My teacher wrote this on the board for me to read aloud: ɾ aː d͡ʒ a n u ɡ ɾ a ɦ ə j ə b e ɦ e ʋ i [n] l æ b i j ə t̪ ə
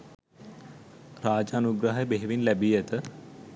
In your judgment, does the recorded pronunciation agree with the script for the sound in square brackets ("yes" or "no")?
yes